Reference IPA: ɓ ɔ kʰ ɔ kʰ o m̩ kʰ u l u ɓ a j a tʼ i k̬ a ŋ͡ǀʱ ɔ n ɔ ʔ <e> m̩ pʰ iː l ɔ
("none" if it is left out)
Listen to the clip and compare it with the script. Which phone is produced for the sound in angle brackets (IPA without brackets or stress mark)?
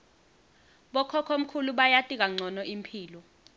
i